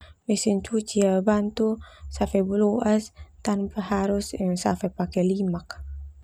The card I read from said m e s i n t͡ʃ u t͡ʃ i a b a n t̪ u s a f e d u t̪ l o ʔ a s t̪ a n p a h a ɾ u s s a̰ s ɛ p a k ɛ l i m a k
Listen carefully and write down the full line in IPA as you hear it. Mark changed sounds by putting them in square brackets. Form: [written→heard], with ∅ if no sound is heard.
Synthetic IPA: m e s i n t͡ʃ u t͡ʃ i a b a n t̪ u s a f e [d→b] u [t̪→∅] l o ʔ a s t̪ a n p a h a ɾ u s s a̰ [s→f] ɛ p a k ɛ l i m a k